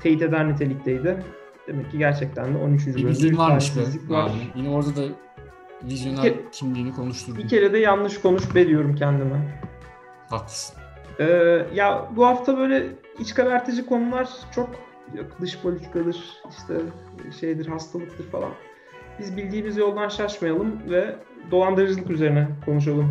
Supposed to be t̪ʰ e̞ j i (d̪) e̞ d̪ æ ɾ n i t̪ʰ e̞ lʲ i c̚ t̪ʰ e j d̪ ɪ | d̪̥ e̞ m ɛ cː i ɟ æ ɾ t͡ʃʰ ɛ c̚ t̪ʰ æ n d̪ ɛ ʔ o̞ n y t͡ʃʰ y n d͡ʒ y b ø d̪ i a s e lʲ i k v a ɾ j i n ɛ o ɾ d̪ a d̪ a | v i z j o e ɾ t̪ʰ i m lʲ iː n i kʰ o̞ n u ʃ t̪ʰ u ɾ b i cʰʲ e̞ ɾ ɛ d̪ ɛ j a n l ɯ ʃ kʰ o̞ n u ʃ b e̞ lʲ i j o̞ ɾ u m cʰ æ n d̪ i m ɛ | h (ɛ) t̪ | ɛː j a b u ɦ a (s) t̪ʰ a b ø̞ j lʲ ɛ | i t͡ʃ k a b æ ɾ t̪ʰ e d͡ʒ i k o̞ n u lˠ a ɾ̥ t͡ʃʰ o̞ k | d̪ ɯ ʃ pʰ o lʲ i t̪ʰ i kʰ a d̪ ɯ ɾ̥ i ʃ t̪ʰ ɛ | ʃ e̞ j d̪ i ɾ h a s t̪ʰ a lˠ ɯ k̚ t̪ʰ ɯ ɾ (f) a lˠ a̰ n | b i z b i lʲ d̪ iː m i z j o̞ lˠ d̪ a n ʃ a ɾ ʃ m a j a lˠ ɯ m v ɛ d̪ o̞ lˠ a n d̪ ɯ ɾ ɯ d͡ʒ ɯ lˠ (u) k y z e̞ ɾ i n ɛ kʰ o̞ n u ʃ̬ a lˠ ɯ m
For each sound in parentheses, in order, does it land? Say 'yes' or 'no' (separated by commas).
no, no, no, yes, no